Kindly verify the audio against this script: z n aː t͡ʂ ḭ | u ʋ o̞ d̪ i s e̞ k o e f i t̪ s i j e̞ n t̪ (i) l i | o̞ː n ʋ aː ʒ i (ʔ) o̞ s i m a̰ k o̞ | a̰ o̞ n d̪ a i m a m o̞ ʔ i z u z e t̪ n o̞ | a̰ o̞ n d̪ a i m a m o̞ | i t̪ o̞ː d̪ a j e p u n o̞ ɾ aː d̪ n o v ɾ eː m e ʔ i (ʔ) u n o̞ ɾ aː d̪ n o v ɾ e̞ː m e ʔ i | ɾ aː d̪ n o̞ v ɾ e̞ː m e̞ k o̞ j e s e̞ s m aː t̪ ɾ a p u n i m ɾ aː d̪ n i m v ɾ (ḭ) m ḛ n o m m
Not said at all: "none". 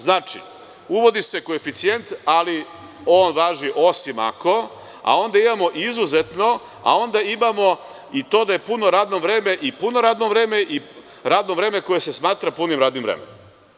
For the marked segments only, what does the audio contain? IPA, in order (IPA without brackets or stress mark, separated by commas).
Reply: a, ʔ, p, ḛ